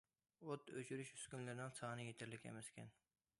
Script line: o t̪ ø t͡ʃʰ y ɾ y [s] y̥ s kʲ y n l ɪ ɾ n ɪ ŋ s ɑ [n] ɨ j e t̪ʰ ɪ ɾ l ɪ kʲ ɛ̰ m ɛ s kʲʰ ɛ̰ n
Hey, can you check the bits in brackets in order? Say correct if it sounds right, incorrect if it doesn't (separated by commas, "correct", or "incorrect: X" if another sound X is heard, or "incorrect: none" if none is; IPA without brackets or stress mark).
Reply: incorrect: ʃ, correct